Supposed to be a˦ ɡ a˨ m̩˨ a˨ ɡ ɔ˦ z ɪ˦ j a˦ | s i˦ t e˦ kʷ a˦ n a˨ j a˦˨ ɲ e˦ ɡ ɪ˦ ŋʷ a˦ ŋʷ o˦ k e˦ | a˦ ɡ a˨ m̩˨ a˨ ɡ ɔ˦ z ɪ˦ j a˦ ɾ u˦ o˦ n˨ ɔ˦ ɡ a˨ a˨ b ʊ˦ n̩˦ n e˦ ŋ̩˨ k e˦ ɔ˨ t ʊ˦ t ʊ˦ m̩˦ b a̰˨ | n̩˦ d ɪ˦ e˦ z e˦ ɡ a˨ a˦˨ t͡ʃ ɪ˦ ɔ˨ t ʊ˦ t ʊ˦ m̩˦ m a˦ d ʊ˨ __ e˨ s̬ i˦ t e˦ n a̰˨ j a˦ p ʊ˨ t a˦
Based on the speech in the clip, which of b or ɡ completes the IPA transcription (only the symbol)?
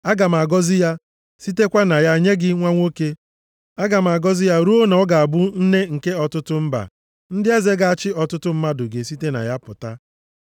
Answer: ɡ